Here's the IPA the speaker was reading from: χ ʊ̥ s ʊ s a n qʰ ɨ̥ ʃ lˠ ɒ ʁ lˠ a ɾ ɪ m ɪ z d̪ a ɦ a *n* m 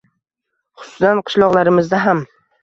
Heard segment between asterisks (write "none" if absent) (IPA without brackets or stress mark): none